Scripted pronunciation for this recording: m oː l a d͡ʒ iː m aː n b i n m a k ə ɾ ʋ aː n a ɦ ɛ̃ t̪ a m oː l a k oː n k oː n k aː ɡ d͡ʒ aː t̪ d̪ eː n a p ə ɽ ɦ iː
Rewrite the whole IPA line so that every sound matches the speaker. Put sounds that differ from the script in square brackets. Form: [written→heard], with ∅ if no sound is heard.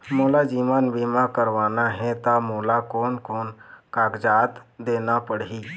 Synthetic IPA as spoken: m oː l a d͡ʒ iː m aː n b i [n→∅] m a k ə ɾ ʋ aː n a ɦ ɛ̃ t̪ a m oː l a k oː n k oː n k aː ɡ d͡ʒ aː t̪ d̪ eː n a p ə ɽ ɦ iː